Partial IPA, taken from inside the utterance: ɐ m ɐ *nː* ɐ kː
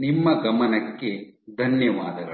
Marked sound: incorrect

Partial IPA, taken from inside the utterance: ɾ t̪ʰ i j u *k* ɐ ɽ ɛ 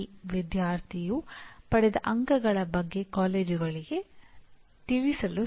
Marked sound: incorrect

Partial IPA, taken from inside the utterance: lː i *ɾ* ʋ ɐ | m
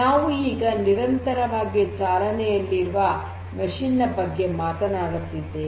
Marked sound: correct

